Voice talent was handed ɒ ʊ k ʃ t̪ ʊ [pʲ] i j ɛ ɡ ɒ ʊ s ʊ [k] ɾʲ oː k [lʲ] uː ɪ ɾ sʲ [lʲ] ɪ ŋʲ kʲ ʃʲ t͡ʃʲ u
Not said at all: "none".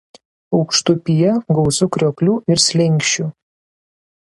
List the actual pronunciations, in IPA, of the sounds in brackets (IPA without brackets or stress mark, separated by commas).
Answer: pʲ, k, lʲ, lʲ